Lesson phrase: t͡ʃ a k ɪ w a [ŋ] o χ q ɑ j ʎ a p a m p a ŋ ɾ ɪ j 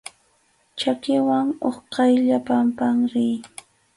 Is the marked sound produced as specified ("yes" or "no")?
yes